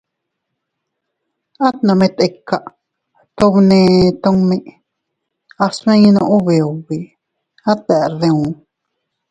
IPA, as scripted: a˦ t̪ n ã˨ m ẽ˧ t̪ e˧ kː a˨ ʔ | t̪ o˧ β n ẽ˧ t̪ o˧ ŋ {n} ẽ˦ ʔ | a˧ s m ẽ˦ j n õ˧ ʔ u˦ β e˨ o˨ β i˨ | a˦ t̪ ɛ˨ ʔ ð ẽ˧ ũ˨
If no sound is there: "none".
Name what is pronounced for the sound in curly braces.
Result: m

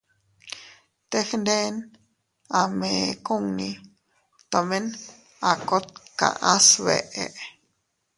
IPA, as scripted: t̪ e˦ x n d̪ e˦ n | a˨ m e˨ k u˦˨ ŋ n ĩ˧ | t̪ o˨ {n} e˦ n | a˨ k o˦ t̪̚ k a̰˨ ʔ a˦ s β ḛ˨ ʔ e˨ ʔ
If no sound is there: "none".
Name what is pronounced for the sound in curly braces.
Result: m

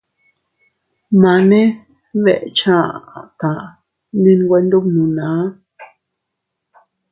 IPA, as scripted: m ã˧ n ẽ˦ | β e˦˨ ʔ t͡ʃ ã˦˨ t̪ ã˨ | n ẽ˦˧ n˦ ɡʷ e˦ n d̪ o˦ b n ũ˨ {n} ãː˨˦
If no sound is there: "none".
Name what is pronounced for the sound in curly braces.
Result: n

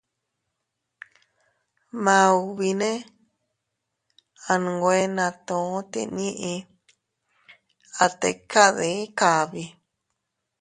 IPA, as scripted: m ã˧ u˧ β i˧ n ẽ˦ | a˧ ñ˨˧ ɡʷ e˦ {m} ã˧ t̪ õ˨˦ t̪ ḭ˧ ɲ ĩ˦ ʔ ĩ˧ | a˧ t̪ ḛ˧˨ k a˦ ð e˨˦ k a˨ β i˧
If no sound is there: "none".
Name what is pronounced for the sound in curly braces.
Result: n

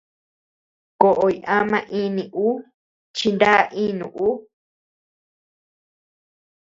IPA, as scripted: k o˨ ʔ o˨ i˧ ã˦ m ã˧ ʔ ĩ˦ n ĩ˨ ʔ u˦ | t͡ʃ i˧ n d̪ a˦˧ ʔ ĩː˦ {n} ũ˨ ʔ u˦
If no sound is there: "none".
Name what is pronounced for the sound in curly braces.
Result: n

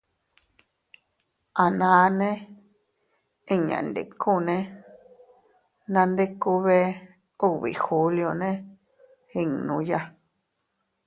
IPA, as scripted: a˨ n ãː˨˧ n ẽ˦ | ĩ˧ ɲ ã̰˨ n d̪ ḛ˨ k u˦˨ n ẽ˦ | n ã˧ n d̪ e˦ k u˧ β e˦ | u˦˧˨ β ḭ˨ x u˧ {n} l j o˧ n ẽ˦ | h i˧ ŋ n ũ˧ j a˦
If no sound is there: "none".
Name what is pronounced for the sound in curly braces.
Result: none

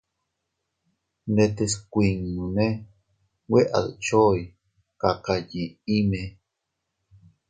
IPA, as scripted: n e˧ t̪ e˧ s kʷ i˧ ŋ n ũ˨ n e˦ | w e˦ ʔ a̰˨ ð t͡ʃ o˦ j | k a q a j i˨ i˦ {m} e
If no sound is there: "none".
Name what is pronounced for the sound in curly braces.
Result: m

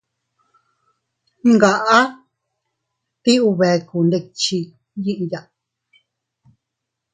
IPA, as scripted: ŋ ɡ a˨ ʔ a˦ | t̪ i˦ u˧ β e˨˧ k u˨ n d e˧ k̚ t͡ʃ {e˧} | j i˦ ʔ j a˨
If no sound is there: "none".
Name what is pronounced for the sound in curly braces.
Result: i˧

